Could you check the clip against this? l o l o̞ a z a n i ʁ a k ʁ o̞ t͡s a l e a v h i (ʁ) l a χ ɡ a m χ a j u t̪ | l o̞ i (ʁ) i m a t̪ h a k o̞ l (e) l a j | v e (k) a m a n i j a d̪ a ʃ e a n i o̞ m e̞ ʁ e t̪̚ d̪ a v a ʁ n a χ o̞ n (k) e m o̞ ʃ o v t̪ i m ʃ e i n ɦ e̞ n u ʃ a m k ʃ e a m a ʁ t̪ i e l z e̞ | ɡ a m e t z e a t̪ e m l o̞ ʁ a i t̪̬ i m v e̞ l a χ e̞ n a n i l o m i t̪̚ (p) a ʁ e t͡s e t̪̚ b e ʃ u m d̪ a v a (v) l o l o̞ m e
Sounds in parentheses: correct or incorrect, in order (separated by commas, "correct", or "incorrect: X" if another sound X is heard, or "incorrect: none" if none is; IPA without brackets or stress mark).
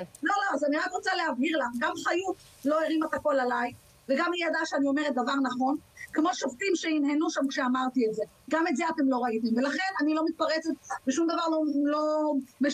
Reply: correct, correct, incorrect: a, incorrect: ɡ, correct, correct, incorrect: ʁ